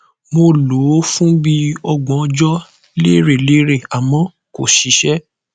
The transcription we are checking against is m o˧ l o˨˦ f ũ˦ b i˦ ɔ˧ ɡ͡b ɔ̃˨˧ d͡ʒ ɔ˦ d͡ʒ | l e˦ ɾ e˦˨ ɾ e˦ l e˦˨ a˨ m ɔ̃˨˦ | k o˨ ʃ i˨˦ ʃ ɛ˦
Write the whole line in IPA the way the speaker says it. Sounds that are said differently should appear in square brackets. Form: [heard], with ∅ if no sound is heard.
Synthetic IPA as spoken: m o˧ l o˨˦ f ũ˦ b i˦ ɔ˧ ɡ͡b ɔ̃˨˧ d͡ʒ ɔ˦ [∅] | l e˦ ɾ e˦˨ [l] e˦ [ɾ] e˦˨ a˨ m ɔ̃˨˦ | k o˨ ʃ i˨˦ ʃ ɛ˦